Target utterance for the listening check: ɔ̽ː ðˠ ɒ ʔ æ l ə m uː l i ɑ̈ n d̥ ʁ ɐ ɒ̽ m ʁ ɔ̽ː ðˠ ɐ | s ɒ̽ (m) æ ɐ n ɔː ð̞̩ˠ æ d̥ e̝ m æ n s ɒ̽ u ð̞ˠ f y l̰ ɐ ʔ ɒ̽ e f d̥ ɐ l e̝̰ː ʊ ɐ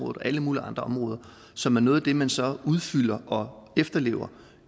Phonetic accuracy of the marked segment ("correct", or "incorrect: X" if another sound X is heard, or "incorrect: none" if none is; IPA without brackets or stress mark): correct